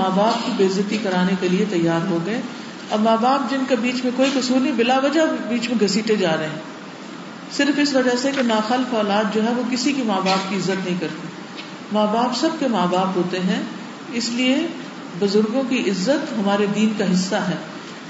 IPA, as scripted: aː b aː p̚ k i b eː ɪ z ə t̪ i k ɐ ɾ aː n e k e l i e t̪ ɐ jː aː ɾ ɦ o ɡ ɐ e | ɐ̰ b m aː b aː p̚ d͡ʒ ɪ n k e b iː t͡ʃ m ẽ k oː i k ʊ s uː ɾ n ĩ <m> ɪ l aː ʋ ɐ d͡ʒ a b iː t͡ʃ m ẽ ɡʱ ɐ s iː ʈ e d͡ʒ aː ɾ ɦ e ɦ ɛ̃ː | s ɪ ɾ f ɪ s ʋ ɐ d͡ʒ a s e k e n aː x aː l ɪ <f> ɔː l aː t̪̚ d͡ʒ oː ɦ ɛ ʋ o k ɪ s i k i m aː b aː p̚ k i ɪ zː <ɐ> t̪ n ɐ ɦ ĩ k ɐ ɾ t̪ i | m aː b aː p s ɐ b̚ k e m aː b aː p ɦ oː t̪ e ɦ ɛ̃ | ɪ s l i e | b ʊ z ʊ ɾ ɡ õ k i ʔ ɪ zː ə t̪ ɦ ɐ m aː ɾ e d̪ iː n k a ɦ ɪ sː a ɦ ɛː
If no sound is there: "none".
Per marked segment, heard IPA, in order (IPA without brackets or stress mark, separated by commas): b, f, ə